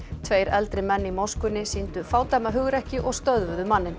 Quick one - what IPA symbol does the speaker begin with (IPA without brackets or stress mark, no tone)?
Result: t̪ʰ